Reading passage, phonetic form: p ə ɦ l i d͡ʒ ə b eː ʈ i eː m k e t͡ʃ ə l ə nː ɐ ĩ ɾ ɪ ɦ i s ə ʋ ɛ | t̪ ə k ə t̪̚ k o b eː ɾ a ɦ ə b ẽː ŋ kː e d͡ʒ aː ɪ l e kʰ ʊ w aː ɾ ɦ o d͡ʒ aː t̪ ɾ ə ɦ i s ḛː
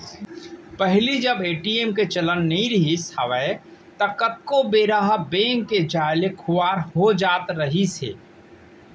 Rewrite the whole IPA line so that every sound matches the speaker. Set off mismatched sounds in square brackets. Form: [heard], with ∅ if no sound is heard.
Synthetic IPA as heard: p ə ɦ l i d͡ʒ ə b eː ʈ i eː m k e t͡ʃ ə l ə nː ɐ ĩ ɾ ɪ ɦ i s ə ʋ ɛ | t̪ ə k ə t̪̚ k o b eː ɾ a ɦ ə b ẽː ŋ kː e d͡ʒ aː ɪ l e kʰ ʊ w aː ɾ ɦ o d͡ʒ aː t̪ ɾ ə ɦ i s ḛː